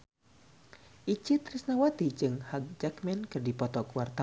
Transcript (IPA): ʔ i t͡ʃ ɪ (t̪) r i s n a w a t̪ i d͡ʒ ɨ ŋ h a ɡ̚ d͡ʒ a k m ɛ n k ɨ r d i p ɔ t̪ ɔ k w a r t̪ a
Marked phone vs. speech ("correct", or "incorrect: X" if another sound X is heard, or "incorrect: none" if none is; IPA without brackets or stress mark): correct